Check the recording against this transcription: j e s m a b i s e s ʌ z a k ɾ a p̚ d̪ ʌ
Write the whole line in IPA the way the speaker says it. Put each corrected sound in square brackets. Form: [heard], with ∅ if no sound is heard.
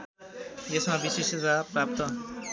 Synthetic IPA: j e s m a b i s e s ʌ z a [p] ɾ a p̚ [t̪] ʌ